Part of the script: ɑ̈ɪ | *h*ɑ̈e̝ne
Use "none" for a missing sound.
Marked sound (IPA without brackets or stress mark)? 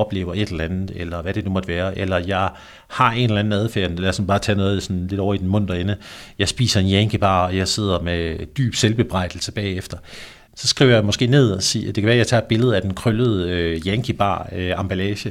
h